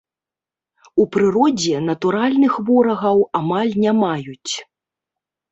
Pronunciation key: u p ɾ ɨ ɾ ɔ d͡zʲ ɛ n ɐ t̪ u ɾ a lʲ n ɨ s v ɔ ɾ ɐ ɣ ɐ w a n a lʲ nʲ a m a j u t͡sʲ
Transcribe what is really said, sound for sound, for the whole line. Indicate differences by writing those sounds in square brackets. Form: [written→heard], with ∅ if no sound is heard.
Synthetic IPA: u p ɾ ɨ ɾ ɔ d͡zʲ ɛ n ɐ t̪ u ɾ a lʲ n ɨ [s→x] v ɔ ɾ ɐ ɣ ɐ w a [n→m] a lʲ nʲ a m a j u t͡sʲ